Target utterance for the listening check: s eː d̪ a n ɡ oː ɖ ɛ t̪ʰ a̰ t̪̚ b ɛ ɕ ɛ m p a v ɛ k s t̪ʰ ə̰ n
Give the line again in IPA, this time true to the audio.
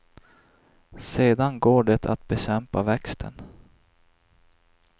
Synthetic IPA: s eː d̪ a n ɡ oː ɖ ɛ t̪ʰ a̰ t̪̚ b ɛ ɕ ɛ m p a v ɛ k s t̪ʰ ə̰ n